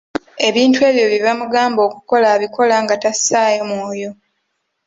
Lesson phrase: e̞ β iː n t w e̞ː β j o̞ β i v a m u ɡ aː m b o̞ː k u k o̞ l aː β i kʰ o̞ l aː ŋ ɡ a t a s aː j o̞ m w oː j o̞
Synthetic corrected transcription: e̞ β iː n t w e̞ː β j o̞ β i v a m u ɡ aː m b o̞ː k u k o̞ l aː β i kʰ o̞ l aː ŋ ɡ a t a s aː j o̞ m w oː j o̞

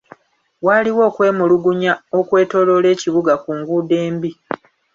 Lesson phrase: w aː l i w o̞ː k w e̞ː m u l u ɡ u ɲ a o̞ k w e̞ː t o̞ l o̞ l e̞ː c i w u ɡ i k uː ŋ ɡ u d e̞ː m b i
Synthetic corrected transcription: w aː l i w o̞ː k w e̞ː m u l u ɡ u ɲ a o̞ k w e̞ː t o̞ l o̞ l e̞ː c i β u ɡ a k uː ŋ ɡ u d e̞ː m b i

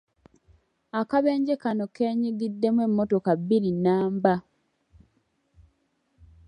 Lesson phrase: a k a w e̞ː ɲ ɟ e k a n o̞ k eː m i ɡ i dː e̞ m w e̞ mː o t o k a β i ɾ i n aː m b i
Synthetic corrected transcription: a k a β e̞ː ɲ ɟ e k a n o̞ k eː ɲ i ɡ i dː e̞ m w e̞ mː o t o k a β i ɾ i n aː m b a

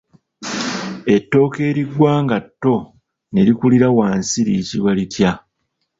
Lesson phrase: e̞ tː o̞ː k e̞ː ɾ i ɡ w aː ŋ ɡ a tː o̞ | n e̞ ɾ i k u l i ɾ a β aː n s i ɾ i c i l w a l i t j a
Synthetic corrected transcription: e̞ tː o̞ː k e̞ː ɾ i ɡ w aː ŋ ɡ a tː o̞ | n e̞ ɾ i k u l i ɾ a w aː n s i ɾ i c i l w a l i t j a

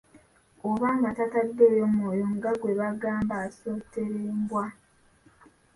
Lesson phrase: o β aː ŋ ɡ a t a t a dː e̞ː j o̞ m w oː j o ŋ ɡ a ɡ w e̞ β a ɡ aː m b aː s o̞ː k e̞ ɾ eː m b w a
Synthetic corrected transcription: o β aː ŋ ɡ a t a t a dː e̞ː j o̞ m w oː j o ŋ ɡ a ɡ w e̞ β a ɡ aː m b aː s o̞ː t e̞ ɾ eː m b w a

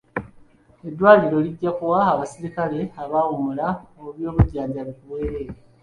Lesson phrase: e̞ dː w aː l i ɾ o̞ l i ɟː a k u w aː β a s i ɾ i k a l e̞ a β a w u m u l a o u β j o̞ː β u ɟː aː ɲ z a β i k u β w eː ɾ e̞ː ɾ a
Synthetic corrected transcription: e̞ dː w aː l i ɾ o̞ l i ɟː a k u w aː β a s i ɾ i k a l e̞ a β a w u m u l a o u β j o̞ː β u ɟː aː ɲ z a β i k u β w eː ɾ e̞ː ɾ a

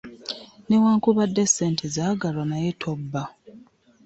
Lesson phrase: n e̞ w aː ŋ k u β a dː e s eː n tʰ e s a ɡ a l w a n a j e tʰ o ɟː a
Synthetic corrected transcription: n e̞ w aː ŋ k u β a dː e s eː n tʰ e z a ɡ a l w a n a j e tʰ o bː a

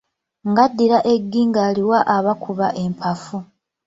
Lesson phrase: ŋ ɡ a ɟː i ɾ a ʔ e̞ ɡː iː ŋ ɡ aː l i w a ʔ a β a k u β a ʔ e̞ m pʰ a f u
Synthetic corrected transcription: ŋ ɡ a dː i ɾ a ʔ e̞ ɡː iː ŋ ɡ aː l i w a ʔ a β a k u β a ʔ e̞ m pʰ a f u

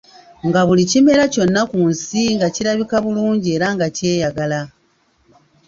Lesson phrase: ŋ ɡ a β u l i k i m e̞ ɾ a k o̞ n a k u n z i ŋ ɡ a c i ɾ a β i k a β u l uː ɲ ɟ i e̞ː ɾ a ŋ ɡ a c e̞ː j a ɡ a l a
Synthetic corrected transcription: ŋ ɡ a β u l i c i m e̞ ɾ a c o̞ nː a k u n s i ŋ ɡ a c i ɾ a β i k a β u l uː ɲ ɟ i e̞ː ɾ a ŋ ɡ a c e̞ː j a ɡ a l a

